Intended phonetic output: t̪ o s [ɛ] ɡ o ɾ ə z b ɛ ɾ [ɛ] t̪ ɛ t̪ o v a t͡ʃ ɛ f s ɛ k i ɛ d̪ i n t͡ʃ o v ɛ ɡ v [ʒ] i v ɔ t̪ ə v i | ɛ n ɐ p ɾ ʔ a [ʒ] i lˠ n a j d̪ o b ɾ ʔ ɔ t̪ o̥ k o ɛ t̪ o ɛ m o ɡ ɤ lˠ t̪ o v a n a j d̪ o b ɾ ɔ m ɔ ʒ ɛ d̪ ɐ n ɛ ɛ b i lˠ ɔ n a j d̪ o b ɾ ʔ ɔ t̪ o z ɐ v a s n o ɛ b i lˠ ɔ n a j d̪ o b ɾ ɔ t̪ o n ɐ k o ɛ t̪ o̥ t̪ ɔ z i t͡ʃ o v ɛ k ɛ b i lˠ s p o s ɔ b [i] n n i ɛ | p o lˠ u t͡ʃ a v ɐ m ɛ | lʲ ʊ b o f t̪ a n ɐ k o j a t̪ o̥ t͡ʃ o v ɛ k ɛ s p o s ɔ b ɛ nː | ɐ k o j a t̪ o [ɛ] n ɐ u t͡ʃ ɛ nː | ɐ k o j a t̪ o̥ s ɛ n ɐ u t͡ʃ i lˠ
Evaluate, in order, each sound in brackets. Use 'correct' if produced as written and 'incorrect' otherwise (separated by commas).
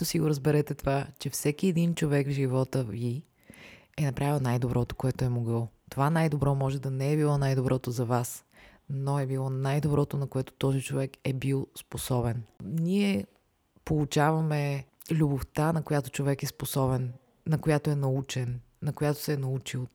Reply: incorrect, correct, correct, incorrect, incorrect, correct